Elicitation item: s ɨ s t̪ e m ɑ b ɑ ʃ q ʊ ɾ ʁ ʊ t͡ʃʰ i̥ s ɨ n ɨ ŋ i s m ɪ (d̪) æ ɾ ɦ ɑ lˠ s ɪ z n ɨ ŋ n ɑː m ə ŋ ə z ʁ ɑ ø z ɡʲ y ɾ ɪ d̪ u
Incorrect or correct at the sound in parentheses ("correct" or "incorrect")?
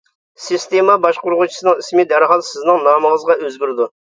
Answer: correct